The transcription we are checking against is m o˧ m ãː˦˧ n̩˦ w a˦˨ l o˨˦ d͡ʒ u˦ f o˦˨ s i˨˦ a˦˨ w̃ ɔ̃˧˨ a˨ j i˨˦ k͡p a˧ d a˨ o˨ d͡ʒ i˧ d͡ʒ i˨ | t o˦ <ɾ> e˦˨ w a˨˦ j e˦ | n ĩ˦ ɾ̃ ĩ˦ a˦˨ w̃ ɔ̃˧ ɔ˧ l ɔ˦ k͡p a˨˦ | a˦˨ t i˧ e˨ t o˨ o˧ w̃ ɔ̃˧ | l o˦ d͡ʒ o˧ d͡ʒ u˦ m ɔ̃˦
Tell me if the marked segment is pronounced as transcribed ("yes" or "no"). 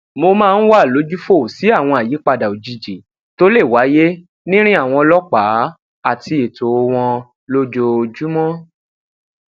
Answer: no